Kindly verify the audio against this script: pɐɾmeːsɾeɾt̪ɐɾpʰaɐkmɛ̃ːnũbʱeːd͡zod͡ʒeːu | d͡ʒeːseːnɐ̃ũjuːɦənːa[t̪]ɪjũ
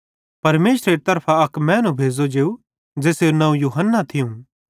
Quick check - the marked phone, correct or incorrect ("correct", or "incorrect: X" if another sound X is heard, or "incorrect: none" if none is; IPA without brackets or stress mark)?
incorrect: t̪ʰ